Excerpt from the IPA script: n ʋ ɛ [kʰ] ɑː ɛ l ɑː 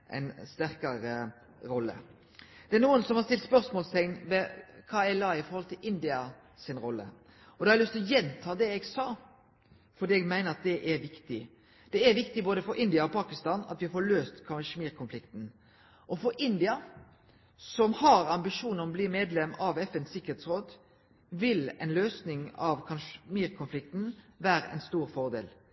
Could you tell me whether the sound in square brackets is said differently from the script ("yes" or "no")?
no